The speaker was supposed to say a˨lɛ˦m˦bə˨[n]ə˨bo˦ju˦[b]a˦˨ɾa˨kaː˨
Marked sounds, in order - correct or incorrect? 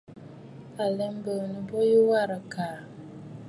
correct, incorrect: w

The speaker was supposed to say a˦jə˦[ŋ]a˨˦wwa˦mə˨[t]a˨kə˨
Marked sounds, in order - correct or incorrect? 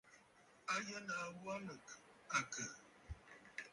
incorrect: n, incorrect: k

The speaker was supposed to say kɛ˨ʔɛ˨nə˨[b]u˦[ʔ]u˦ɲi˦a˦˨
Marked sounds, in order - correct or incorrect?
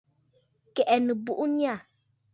correct, correct

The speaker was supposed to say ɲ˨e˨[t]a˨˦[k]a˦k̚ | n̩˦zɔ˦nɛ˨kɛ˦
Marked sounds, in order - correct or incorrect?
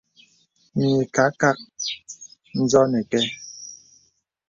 incorrect: k, correct

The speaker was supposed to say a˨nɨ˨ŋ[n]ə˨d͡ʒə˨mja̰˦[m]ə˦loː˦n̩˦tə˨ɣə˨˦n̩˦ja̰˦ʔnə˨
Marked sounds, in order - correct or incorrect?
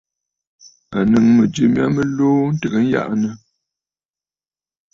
incorrect: m, correct

